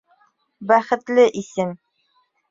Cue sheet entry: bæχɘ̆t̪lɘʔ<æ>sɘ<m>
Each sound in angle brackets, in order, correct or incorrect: incorrect: i, correct

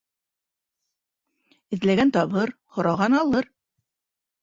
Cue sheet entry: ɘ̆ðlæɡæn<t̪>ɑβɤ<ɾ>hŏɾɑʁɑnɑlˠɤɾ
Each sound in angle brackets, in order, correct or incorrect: correct, correct

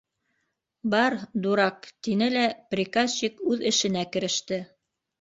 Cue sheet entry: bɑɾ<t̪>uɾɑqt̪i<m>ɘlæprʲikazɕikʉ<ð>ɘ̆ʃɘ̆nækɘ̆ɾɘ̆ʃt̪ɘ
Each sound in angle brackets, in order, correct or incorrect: incorrect: d̪, incorrect: n, correct

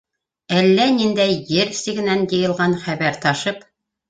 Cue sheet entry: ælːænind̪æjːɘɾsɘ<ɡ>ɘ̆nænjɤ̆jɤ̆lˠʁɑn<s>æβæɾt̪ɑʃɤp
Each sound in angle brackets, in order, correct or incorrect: correct, incorrect: χ

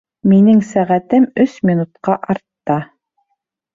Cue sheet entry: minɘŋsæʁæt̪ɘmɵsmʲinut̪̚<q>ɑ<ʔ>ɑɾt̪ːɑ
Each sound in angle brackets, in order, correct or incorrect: correct, correct

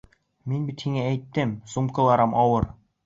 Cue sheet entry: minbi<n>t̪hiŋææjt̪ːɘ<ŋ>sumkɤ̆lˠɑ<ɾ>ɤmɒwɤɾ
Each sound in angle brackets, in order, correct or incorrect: incorrect: none, incorrect: m, correct

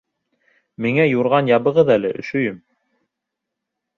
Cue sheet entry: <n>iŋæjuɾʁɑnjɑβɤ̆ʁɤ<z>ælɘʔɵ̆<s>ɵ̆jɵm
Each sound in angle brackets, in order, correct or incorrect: incorrect: m, incorrect: ð, incorrect: ʃ

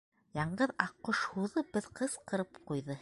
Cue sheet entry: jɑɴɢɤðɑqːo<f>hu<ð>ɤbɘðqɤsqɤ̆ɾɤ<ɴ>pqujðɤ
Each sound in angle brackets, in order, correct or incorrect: incorrect: ʃ, correct, incorrect: none

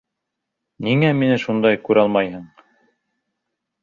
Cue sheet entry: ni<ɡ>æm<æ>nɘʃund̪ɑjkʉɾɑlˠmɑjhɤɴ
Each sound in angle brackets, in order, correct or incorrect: incorrect: ŋ, incorrect: i

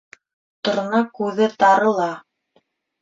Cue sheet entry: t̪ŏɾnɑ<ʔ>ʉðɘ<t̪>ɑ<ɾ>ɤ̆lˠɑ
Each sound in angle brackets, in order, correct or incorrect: incorrect: k, correct, correct

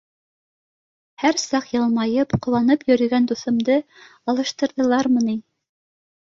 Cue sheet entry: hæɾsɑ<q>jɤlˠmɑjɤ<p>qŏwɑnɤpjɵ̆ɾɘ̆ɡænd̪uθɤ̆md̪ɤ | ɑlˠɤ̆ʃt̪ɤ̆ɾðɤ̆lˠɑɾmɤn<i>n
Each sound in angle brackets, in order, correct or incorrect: correct, correct, correct

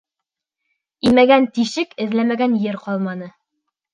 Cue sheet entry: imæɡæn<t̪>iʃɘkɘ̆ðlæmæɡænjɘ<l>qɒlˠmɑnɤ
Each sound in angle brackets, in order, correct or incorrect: correct, incorrect: ɾ

